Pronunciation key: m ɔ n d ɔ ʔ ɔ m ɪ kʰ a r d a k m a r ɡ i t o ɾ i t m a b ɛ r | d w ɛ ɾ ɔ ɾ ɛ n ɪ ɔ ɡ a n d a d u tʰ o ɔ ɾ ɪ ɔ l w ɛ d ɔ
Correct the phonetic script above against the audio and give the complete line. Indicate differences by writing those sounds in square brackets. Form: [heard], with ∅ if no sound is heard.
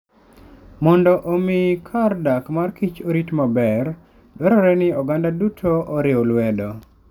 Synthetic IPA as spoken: m ɔ n d ɔ ʔ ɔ m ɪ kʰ a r d a k m a r [k] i [t͡ʃ] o ɾ i t m a b ɛ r | d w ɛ ɾ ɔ ɾ ɛ n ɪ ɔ ɡ a n d a d u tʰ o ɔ ɾ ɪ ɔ l w ɛ d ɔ